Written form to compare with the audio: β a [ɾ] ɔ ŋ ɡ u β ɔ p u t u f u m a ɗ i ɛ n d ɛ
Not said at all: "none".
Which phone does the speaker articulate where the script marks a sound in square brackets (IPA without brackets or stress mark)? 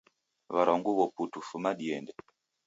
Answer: ɾ